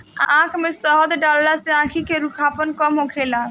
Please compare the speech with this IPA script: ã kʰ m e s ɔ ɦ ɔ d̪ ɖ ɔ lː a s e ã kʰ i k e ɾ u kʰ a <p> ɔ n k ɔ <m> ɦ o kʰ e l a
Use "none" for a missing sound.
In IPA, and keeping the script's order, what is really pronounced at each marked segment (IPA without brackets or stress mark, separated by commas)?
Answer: p, m